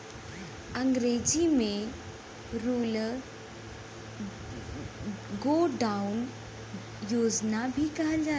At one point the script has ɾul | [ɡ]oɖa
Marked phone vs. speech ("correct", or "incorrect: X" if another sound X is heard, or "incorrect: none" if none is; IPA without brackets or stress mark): correct